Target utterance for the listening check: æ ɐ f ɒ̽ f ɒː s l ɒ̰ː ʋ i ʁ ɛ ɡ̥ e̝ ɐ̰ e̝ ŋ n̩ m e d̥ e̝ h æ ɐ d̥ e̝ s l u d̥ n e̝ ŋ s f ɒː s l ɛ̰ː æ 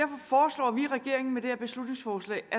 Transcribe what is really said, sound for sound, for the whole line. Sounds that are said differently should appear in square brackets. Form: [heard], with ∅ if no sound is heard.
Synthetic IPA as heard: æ ɐ f ɒ̽ f ɒː s l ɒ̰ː ʋ i ʁ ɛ ɡ̥ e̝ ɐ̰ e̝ ŋ n̩ m e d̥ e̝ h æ ɐ [b̥] e̝ s l u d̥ n e̝ ŋ s f ɒː s l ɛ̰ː æ